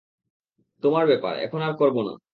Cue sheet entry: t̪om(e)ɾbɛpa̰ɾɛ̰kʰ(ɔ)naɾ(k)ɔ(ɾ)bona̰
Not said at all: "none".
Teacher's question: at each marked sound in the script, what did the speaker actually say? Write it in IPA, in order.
a, o, k, ɾ

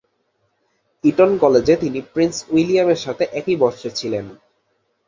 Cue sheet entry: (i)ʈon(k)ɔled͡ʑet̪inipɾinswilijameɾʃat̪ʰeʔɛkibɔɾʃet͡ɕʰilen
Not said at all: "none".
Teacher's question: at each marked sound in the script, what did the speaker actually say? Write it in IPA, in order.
i, k

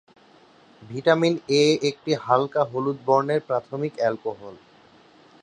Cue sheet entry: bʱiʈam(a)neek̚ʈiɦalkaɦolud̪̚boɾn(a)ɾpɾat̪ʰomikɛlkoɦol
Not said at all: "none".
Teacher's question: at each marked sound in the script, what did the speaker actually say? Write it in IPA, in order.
i, e

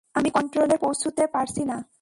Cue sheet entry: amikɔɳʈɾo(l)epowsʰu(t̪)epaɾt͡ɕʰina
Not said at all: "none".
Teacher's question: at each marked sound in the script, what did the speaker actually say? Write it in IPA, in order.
l, t̪

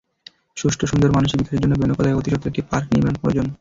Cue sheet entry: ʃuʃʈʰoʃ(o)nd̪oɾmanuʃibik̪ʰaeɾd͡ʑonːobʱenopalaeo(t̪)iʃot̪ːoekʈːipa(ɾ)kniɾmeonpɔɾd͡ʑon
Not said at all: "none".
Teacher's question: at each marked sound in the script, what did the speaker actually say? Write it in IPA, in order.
u, t̪, ɾ

